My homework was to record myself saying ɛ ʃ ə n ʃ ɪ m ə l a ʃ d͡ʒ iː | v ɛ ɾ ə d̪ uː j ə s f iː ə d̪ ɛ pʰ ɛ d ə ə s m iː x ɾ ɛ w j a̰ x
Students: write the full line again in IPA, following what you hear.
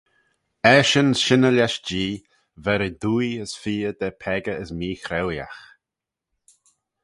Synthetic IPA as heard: ɛ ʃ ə n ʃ ɪ n ə l a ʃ d͡ʒ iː | v ɛ ɾ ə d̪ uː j ə s f iː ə d̪ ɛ pʰ ɛ ɡ ə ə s m iː x ɾ ɛ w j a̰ x